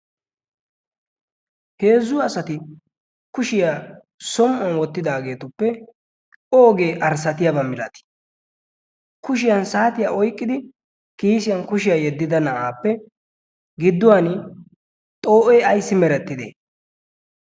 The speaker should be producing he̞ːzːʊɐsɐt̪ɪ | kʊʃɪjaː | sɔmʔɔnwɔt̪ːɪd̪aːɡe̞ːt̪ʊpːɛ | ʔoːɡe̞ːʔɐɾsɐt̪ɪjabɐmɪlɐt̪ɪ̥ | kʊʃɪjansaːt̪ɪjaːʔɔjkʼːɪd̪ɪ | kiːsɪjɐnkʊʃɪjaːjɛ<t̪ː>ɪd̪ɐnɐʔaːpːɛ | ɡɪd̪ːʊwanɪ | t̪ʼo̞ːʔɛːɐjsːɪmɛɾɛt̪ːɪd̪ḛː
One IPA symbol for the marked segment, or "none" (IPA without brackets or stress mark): d̪ː